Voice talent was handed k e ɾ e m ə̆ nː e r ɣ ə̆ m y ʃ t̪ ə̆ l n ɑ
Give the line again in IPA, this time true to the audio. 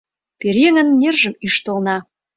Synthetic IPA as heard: p e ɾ e ŋ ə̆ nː e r ʒ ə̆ m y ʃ t̪ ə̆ l n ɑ